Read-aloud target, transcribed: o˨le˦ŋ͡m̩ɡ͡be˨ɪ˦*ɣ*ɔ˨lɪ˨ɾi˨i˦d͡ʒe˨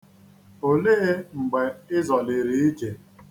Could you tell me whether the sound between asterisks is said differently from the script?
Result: yes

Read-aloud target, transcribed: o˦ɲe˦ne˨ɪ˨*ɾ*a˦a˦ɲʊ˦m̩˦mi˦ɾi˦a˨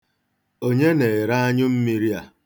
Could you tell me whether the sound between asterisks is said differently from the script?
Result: no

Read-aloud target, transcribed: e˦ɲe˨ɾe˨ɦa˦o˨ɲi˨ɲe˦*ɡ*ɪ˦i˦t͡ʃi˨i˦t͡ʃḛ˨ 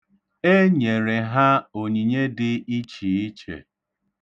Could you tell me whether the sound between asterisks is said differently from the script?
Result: yes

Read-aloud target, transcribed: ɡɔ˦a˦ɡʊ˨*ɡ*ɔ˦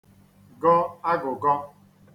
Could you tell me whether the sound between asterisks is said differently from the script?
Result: no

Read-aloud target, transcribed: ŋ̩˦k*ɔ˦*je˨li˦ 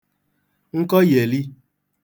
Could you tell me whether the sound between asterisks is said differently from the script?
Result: no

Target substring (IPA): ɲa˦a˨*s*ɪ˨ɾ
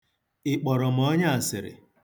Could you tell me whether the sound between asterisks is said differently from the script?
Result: no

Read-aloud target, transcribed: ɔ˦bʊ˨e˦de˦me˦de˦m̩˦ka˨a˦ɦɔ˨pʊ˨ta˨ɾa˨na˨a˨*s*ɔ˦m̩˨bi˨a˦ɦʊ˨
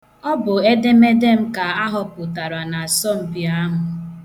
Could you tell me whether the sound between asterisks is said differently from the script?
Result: no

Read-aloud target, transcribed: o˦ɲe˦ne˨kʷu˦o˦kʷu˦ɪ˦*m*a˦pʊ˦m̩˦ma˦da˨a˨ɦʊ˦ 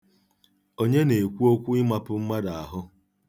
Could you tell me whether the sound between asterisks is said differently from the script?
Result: no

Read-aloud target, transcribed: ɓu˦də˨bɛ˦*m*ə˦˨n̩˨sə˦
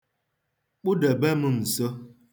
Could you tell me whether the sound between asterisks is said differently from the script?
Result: no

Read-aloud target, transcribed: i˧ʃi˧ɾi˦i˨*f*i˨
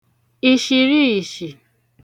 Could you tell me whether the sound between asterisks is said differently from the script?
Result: yes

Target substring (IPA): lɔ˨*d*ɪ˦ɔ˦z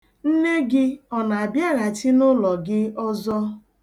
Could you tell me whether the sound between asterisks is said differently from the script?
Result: yes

